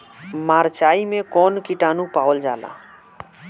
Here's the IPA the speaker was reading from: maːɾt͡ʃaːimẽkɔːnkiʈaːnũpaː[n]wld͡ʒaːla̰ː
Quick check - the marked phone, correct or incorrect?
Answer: incorrect